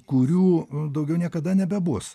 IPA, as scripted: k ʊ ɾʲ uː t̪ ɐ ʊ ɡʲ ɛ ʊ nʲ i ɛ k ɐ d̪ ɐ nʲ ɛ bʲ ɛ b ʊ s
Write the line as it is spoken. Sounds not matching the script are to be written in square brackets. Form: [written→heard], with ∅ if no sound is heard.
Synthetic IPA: k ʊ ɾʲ uː [t̪→d̪] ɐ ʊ ɡʲ ɛ ʊ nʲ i ɛ k ɐ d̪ ɐ nʲ ɛ bʲ ɛ b ʊ s